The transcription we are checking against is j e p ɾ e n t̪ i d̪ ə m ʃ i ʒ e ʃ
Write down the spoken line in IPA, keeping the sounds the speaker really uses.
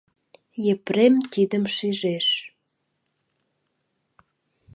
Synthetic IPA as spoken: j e p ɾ e m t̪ i d̪ ə m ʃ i ʒ e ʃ